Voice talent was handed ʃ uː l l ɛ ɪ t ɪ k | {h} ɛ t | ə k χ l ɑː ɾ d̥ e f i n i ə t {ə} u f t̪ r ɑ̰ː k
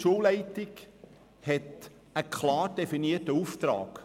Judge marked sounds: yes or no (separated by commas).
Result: yes, yes